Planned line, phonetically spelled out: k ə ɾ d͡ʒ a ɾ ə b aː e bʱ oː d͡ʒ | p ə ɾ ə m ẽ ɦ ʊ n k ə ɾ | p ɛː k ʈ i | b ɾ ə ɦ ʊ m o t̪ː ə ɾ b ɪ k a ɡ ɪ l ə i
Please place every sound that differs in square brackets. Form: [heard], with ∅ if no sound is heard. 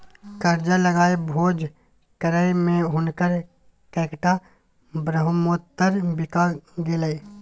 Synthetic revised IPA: k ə ɾ d͡ʒ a [l] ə [ɡ] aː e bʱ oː d͡ʒ | [k] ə ɾ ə m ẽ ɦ ʊ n k ə ɾ | [k] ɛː k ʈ [a] | b ɾ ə ɦ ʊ m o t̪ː ə ɾ b ɪ k a ɡ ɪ l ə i